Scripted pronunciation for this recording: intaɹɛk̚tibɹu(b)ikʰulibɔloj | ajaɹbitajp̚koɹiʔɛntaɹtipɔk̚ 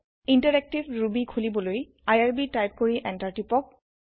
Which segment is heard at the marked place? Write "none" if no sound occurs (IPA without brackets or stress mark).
b